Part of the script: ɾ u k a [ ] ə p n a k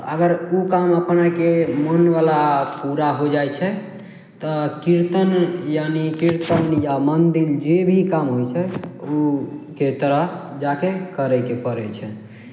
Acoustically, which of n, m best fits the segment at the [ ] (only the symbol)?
m